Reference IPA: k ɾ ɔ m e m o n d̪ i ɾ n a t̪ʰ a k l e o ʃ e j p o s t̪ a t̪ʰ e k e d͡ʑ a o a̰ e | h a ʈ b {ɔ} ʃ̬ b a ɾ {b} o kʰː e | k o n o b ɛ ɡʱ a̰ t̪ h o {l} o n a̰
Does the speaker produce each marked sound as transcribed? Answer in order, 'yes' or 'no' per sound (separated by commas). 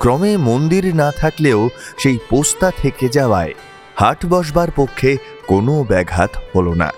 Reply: yes, no, yes